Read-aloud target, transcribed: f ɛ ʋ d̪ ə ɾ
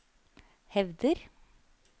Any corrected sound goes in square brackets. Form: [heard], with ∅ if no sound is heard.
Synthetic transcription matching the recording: [h] ɛ ʋ d̪ ə ɾ